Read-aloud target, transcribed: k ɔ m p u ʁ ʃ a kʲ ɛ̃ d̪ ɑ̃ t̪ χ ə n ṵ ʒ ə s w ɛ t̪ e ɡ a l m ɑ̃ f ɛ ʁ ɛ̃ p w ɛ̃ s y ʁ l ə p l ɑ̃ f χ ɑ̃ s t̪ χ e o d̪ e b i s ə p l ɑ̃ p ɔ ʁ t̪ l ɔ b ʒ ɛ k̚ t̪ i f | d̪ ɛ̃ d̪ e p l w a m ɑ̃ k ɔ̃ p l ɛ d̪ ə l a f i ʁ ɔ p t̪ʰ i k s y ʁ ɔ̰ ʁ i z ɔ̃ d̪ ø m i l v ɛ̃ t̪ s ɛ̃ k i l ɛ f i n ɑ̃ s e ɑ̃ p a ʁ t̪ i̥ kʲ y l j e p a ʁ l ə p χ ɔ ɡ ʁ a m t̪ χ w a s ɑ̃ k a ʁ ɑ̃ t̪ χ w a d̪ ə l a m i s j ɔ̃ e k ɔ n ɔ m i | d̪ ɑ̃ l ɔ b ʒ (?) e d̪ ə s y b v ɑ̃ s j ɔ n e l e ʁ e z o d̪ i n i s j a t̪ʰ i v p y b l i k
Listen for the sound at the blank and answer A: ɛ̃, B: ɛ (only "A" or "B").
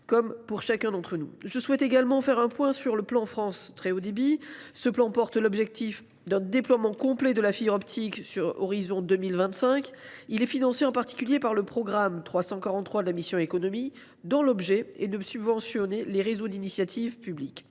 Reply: B